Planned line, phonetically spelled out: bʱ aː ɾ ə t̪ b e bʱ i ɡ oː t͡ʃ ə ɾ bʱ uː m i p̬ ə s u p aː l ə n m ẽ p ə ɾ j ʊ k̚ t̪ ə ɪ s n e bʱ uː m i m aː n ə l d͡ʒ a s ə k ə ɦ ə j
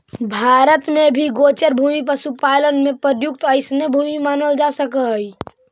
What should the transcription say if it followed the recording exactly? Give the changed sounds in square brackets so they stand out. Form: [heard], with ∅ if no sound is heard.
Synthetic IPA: bʱ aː ɾ ə t̪ [m] e bʱ i ɡ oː t͡ʃ ə ɾ bʱ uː m i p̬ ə s u p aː l ə n m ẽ p ə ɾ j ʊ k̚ t̪ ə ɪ s n e bʱ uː m i m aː n ə l d͡ʒ a s ə k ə ɦ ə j